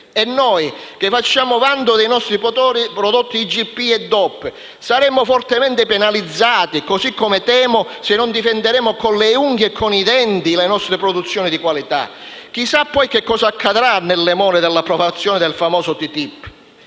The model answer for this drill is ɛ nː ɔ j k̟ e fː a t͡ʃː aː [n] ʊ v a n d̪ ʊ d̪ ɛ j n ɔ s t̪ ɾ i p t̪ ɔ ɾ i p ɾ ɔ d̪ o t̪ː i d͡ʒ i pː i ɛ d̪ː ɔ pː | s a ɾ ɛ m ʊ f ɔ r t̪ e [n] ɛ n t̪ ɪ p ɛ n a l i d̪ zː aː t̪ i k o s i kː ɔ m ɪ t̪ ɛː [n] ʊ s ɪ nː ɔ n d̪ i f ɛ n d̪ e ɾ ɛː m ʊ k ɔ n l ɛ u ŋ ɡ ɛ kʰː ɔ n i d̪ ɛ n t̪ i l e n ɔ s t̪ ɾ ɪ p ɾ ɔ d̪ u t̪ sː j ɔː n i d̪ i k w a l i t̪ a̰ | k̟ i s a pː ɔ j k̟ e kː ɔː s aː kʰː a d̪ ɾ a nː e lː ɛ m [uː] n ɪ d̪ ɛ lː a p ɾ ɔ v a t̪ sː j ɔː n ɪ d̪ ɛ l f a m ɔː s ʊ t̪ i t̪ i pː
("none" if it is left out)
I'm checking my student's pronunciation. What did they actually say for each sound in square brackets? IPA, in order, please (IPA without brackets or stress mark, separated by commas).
m, m, m, ɔː